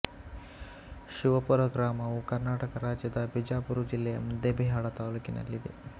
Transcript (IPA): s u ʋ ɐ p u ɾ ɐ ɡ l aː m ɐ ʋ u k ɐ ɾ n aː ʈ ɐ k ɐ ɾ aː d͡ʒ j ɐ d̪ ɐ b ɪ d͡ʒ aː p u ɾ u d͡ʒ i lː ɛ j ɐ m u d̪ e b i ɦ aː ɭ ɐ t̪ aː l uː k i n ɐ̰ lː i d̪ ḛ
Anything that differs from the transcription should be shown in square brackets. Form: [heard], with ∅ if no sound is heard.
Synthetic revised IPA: [ʃ] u ʋ ɐ p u ɾ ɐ ɡ [ɾ] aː m ɐ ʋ u k ɐ ɾ n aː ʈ ɐ k ɐ ɾ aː d͡ʒ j ɐ d̪ ɐ b [i] d͡ʒ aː p u ɾ u d͡ʒ i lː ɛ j ɐ m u d̪ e b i ɦ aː ɭ ɐ t̪ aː l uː k i n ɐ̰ lː i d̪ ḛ